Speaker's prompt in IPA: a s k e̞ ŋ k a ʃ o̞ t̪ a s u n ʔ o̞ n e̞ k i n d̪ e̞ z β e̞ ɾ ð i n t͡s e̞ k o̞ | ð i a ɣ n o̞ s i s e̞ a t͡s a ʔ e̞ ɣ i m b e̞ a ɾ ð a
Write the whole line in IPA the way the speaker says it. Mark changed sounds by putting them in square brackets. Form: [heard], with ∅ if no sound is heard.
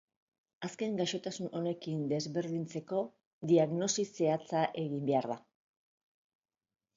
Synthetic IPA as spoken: a s k e̞ ŋ [ɡ] a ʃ o̞ t̪ a s u n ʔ o̞ n e̞ k i n d̪ e̞ z β e̞ ɾ ð i n t͡s e̞ k o̞ | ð i a ɣ n o̞ s i s e̞ a t͡s a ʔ e̞ ɣ i m b e̞ a ɾ ð a